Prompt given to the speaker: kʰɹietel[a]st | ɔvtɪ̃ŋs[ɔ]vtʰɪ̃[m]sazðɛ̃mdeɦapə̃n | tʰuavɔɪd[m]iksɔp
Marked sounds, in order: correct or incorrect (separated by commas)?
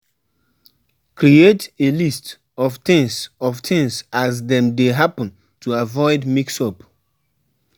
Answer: incorrect, correct, incorrect, correct